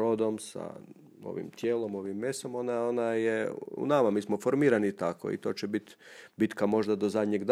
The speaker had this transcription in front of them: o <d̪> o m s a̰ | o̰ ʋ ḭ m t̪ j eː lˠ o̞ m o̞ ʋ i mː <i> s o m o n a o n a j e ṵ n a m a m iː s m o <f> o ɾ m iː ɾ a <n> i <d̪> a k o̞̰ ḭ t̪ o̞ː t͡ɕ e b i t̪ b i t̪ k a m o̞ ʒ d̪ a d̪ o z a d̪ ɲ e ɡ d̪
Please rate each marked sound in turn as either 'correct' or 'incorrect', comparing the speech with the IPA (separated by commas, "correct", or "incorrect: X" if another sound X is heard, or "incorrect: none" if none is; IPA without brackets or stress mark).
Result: correct, incorrect: e, correct, correct, incorrect: t̪